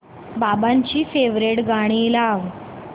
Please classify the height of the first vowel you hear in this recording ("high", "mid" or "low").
low